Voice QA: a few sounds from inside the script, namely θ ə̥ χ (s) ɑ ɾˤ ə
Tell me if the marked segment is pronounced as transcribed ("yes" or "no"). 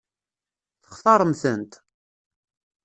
no